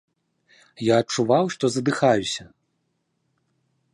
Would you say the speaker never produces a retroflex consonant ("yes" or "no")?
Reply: no